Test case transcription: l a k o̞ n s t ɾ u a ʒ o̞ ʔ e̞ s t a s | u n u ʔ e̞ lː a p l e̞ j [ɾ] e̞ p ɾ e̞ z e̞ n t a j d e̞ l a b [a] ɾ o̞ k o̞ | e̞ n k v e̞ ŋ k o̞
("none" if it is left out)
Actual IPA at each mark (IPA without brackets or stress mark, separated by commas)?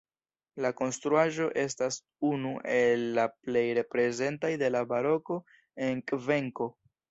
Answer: ɾ, a